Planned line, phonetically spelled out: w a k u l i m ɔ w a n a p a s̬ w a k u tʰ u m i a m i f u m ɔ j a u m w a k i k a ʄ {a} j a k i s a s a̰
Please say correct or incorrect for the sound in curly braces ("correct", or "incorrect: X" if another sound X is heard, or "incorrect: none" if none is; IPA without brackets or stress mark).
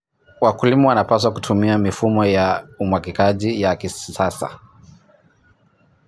incorrect: i